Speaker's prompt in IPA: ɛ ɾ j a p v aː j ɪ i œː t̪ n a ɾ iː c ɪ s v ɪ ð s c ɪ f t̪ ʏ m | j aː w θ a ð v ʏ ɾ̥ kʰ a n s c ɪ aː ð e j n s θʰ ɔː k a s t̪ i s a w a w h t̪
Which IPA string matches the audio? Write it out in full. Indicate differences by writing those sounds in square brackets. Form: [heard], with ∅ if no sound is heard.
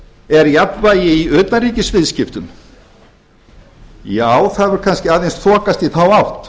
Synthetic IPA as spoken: ɛ ɾ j a p v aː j ɪ i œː t̪ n a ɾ iː c ɪ s v ɪ ð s c ɪ f t̪ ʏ m | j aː w θ a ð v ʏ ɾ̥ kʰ a n s c ɪ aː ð e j n s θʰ ɔː k a s t̪ i [θ] a w a w h t̪